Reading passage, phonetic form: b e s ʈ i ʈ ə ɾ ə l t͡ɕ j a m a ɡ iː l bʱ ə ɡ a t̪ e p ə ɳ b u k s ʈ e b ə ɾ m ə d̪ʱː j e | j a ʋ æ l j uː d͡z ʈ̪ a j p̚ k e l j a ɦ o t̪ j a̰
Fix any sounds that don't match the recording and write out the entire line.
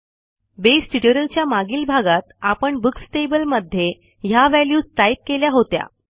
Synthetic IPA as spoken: b e s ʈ i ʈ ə ɾ ə l t͡ɕ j a m a ɡ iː l bʱ a ɡ a t̪ a p ə ɳ b u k s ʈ e b ə l m ə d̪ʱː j e | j a ʋ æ l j uː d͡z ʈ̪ a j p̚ k e l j a ɦ o t̪ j a̰

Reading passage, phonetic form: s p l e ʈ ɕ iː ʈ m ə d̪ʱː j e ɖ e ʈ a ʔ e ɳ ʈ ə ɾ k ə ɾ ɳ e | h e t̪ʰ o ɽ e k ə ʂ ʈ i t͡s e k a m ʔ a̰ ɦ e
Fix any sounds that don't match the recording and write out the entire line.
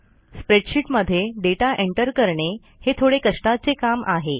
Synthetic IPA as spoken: s p ɾ e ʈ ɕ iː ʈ m ə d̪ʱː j e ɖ e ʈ a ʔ e ɳ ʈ ə ɾ k ə ɾ ɳ e | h e t̪ʰ o ɽ e k ə ʂ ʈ a t͡s e k a m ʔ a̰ ɦ e

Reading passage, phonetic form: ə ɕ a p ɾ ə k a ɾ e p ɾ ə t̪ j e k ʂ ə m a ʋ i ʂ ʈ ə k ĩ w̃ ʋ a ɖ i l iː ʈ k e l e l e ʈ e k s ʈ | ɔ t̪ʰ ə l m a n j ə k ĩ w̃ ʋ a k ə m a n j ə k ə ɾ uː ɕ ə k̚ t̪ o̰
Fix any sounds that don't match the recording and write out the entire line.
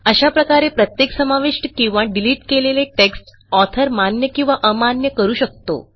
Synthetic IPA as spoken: ə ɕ a p ɾ ə k a ɾ e p ɾ ə t̪ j e k s ə m a ʋ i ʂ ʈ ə k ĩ w̃ ʋ a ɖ i l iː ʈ k e l e l e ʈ e k s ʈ | ɔ t̪ʰ ə ɾ m a n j ə k ĩ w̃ ʋ a ʔ ə m a n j ə k ə ɾ uː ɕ ə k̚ t̪ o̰

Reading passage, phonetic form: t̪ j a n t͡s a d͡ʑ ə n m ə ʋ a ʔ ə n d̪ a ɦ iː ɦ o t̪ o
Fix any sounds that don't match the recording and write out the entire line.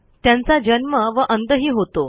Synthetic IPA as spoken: t̪ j a n t͡s a d͡ʑ ə n m ə ʋ ə ʔ ə n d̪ ə ɦ iː ɦ o t̪ o

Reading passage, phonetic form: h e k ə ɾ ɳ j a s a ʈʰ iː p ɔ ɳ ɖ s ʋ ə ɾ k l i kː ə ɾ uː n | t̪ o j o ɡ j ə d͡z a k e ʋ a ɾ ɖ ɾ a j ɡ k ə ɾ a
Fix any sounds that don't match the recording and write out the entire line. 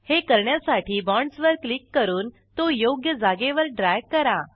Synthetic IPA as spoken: h e k ə ɾ ɳ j a s a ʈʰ iː b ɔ ɳ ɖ s ʋ ə ɾ k l i kː ə ɾ uː n | t̪ o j o ɡ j ə d͡z a ɡ e ʋ ə ɾ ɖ ɾ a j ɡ k ə ɾ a

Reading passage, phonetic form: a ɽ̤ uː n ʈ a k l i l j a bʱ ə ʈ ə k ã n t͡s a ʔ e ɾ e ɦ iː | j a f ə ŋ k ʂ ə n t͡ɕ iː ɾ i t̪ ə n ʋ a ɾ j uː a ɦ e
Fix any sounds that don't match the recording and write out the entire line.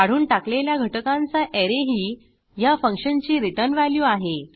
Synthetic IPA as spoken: a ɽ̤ uː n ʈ a k l e l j a ɡʱ ə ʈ ə k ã n t͡s a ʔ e ɾ e ɦ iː | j a f ə ŋ k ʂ ə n t͡ɕ iː ɾ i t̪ ə n ʋ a l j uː a ɦ e

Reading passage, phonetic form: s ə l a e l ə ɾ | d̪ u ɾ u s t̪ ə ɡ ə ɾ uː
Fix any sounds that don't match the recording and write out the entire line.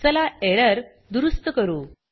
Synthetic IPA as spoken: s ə l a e ɾ ə ɾ | d̪ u ɾ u s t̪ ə k ə ɾ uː

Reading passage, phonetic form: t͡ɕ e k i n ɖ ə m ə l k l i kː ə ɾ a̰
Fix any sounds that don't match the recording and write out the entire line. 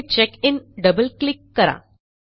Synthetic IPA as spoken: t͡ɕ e k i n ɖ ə b ə l k l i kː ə ɾ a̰

